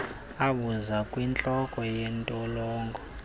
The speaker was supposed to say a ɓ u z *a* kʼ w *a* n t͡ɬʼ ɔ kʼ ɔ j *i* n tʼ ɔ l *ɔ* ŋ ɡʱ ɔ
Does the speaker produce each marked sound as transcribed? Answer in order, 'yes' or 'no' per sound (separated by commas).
yes, no, no, no